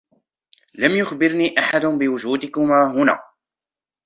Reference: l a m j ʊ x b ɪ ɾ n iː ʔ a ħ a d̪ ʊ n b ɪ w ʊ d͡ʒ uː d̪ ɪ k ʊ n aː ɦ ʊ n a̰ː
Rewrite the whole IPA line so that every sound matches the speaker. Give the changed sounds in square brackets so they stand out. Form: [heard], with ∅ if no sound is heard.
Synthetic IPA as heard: l a m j ʊ x b ɪ ɾ n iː ʔ a ħ a d̪ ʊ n b ɪ w ʊ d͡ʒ uː d̪ ɪ k ʊ [m] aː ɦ ʊ n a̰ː